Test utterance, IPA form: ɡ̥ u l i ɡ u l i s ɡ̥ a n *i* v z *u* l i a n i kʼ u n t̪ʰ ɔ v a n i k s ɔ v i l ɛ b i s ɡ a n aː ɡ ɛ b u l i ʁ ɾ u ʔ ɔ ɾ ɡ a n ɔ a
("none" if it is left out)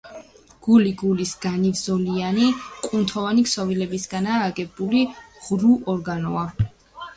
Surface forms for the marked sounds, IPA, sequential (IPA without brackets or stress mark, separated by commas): i, ɔ